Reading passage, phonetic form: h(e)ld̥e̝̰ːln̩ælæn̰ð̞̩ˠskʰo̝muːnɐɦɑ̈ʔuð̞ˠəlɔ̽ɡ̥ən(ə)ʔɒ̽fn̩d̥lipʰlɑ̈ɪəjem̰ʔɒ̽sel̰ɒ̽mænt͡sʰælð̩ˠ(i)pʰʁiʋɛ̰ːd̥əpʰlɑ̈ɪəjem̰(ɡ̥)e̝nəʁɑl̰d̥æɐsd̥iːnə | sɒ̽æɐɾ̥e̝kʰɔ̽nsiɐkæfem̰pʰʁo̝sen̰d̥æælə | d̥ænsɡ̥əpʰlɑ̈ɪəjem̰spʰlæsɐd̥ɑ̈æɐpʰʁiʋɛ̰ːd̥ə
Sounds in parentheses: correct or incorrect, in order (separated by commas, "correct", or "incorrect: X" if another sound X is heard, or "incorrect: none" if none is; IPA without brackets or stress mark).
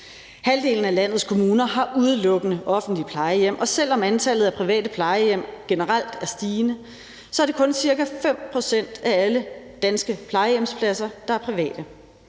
incorrect: æ, correct, incorrect: æ, correct